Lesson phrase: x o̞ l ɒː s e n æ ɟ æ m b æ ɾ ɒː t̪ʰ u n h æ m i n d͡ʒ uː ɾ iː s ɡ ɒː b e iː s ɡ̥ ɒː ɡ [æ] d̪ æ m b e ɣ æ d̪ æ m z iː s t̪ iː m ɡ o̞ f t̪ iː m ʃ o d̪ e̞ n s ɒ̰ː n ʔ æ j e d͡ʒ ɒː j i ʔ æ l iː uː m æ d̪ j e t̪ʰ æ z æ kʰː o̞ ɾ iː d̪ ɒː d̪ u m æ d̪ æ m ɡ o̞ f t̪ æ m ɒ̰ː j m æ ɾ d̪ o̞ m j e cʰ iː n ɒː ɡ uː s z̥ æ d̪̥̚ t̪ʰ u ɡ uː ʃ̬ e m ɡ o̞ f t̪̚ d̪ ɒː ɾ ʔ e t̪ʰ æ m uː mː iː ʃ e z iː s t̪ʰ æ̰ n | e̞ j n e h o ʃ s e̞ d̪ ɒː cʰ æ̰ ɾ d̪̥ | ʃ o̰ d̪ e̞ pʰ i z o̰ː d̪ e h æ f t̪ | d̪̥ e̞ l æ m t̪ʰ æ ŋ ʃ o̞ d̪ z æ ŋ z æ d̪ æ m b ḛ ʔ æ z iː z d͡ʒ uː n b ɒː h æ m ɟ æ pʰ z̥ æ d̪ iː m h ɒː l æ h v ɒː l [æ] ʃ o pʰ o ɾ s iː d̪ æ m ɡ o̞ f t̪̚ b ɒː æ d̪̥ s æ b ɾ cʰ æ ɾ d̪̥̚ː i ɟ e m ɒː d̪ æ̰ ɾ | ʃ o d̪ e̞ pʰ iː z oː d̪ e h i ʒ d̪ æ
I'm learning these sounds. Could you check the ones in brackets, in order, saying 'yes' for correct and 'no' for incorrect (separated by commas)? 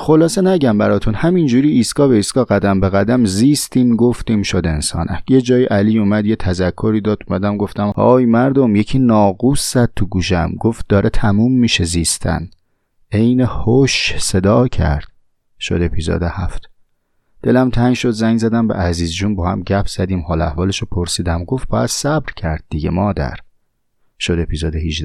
yes, no